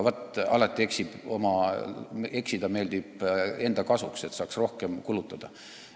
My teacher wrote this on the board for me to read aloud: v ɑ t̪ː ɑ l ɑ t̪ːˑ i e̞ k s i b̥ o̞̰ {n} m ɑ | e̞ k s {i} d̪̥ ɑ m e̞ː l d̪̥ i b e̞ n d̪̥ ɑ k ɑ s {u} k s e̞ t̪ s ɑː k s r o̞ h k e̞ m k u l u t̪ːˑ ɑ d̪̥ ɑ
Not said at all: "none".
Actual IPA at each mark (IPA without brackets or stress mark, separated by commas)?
none, i, u